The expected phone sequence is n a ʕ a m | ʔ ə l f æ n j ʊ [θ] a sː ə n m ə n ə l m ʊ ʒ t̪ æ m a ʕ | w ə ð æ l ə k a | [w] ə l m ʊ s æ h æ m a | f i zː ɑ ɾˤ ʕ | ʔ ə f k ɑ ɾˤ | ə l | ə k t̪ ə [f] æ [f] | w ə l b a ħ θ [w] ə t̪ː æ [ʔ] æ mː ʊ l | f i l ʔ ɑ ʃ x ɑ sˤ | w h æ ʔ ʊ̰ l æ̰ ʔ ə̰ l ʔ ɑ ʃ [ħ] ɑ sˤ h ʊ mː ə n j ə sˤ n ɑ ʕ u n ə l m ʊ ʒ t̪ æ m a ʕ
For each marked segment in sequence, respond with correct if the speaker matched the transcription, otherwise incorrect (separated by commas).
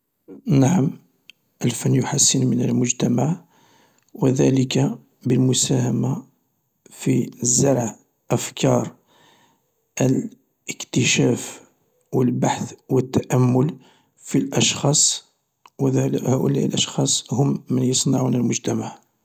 incorrect, incorrect, incorrect, correct, correct, correct, incorrect